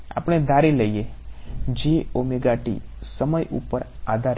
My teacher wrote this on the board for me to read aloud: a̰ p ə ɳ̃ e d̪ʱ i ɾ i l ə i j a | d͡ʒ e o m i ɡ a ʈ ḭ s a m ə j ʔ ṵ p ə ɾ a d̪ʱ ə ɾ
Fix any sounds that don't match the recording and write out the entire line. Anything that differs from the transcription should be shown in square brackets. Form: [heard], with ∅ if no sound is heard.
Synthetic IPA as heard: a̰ p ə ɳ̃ e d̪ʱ [a] ɾ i l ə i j [e] | d͡ʒ e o m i ɡ a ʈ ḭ s [ə] m ə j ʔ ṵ p ə ɾ a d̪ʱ [a] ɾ